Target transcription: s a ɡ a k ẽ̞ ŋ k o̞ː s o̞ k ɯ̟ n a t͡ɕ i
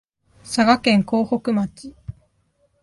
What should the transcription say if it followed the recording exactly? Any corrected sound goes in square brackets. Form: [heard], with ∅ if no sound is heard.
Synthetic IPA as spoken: s a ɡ a k ẽ̞ ŋ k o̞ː [h] o̞ k ɯ̟ [m] a t͡ɕ i